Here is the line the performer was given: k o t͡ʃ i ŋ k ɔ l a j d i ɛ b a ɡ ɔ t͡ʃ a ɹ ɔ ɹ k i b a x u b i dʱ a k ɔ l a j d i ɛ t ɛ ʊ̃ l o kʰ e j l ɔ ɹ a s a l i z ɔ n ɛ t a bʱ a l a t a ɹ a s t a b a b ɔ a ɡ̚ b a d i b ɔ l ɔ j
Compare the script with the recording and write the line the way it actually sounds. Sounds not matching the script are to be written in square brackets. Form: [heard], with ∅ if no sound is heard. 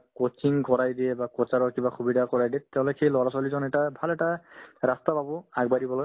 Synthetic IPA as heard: k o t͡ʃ i ŋ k ɔ [ɹ] a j d i ɛ b a [k] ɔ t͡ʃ a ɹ ɔ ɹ k i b a x u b i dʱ a k ɔ [ɹ] a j d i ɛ t ɛ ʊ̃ l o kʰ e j l ɔ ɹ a s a l i z ɔ n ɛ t a bʱ a l [ɛ] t a ɹ a s t a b a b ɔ a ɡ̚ b a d i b ɔ l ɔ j